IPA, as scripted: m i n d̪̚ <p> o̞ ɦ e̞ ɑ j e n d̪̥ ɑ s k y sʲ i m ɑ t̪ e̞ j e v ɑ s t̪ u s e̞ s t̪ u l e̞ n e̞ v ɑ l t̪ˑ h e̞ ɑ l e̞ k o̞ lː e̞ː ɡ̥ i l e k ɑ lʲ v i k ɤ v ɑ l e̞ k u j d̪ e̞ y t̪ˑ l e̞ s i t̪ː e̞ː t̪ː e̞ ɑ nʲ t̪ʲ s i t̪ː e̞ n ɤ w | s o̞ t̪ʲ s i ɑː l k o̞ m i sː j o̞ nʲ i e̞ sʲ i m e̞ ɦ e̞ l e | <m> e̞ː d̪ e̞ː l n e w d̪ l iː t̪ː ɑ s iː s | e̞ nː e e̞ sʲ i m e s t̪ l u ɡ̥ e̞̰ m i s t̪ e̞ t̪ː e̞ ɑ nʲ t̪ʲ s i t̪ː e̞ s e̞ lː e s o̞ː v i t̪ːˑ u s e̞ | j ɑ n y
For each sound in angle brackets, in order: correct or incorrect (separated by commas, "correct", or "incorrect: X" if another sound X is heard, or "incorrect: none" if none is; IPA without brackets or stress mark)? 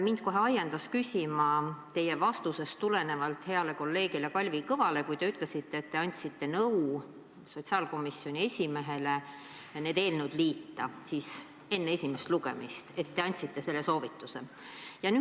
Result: incorrect: k, incorrect: n